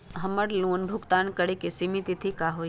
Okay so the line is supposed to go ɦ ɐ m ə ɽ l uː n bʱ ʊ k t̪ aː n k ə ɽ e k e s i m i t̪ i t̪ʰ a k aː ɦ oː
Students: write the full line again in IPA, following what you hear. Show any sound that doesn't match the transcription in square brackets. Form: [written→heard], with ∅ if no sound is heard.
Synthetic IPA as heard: ɦ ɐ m ə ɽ l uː n bʱ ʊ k t̪ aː n k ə ɽ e k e s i m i t̪ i t̪ʰ [a→i] k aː ɦ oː

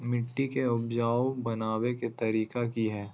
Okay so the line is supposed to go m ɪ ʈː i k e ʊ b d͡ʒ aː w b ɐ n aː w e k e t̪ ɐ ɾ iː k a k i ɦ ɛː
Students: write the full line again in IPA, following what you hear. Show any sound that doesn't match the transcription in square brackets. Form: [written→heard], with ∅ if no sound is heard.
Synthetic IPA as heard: m ɪ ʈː i k e ʊ b d͡ʒ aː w b ɐ n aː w e k e t̪ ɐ ɾ iː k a k i ɦ ɛː

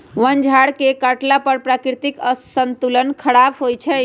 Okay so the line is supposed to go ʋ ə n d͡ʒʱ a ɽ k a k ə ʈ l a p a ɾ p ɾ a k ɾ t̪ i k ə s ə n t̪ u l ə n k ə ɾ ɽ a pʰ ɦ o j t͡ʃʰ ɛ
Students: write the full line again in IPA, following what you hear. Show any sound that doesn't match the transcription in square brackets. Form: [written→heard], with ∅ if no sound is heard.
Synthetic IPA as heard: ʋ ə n d͡ʒʱ a ɽ k [a→e] k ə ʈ l a p [a→ə] ɾ p ɾ a k ɾ t̪ i k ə s ə n t̪ u l ə n [k→kʰ] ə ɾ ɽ a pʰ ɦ o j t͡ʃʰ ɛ

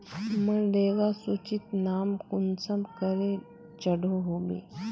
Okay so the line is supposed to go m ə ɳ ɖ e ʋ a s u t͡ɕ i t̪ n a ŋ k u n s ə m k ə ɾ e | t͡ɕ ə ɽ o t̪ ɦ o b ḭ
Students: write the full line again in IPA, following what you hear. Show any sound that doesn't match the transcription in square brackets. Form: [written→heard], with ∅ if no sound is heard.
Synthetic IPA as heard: m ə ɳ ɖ e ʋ a s u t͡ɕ i t̪ n a [ŋ→m] k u n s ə m k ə ɾ e | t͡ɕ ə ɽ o [t̪→∅] ɦ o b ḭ

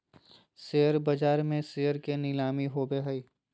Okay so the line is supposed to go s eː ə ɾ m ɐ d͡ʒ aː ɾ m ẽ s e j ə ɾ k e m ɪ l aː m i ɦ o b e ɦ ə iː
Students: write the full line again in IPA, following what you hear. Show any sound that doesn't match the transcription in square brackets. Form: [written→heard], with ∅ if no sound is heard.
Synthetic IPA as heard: s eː ə ɾ [m→b] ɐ d͡ʒ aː ɾ m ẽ s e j ə ɾ k e [m→n] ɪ l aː m i ɦ o b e ɦ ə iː

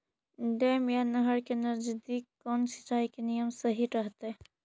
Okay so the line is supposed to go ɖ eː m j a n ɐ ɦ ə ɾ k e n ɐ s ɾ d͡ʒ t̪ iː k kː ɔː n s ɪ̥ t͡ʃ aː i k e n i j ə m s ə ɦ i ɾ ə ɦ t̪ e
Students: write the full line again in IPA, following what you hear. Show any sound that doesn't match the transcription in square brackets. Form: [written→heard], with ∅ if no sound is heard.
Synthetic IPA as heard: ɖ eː m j a n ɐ ɦ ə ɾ k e n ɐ [s→∅] ɾ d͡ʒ [t̪→d̪] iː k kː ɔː n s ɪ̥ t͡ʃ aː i k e n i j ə m s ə ɦ i ɾ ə ɦ t̪ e

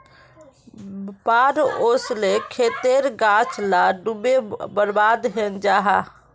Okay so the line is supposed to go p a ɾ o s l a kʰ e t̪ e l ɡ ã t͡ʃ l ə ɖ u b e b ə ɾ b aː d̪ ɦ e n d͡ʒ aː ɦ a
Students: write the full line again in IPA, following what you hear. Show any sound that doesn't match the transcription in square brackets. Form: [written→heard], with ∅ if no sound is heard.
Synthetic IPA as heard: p a ɾ o s l [a→e] kʰ e t̪ e [l→ɾ] ɡ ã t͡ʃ l [ə→a] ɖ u b e b ə ɾ b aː d̪ ɦ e n d͡ʒ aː ɦ a

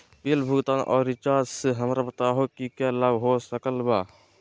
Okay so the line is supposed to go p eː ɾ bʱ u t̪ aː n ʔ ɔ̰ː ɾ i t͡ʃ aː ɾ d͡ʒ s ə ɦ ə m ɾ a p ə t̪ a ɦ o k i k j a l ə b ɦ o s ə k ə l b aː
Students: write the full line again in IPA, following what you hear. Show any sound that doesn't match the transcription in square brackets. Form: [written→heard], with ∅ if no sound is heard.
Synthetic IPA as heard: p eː [ɾ→l] bʱ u t̪ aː n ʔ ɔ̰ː ɾ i t͡ʃ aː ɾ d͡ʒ s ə ɦ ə m ɾ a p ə t̪ a ɦ o k i k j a l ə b ɦ o s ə k ə l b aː

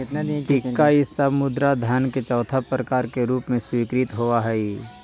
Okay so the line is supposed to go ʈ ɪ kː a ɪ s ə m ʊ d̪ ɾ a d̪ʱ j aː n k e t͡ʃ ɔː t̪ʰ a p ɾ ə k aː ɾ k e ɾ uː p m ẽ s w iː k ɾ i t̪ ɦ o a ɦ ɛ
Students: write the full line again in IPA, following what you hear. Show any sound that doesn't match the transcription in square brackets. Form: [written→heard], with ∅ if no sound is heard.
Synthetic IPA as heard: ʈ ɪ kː a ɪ s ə m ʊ d̪ ɾ a d̪ʱ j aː n k e t͡ʃ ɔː t̪ʰ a p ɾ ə k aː ɾ k e ɾ uː p m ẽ s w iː k ɾ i t̪ ɦ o a ɦ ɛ

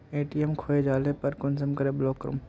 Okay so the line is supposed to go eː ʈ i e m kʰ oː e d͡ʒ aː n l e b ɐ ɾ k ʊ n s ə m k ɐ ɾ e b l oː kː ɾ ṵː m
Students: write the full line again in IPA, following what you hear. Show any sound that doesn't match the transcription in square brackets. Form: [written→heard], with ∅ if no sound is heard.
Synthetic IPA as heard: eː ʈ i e m kʰ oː e d͡ʒ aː [n→∅] l e [b→p] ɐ ɾ k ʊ n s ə m k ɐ ɾ e b l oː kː ɾ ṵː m

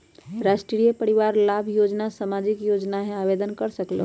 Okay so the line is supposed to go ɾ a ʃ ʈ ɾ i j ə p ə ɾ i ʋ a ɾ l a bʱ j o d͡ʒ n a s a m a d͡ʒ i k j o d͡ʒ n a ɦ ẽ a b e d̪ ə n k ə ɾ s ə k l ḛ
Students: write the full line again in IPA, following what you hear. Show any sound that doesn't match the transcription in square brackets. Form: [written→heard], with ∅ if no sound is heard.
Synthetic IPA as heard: ɾ a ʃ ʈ ɾ i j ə p ə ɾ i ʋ a ɾ l a bʱ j o d͡ʒ n a s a m a d͡ʒ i k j o d͡ʒ n a ɦ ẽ a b e d̪ ə n k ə ɾ s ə k l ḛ

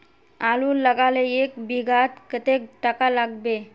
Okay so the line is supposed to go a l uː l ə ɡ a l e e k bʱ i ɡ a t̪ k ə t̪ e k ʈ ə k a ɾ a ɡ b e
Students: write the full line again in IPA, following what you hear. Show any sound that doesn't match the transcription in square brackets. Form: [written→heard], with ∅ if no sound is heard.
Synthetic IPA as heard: a l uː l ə ɡ a l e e k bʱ i ɡ a t̪ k ə t̪ e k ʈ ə k a [ɾ→l] a ɡ b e

